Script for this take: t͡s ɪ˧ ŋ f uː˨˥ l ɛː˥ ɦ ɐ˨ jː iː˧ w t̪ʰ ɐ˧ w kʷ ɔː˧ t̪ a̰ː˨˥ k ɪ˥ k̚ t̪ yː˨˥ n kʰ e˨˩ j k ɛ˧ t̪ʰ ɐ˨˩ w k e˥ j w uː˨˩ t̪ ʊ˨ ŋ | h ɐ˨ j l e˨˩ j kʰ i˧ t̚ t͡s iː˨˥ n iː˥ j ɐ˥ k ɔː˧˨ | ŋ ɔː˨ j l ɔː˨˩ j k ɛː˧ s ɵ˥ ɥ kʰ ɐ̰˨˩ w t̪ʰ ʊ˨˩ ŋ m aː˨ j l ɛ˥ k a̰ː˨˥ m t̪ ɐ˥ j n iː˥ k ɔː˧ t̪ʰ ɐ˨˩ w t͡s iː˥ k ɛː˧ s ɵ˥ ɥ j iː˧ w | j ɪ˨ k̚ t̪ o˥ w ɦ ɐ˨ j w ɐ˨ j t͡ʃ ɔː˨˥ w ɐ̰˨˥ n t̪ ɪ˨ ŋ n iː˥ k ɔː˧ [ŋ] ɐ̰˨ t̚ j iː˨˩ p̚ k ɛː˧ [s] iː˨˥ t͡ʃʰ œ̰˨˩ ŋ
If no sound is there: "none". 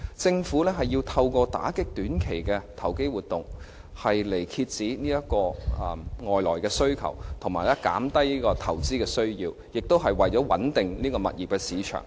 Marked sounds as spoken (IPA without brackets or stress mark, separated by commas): m, s